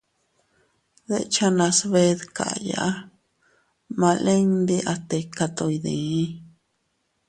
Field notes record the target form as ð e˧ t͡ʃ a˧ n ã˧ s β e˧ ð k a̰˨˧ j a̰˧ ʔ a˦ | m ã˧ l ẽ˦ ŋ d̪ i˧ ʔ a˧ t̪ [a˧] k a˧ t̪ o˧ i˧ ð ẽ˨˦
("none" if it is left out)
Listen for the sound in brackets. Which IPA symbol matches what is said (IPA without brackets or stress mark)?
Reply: e˧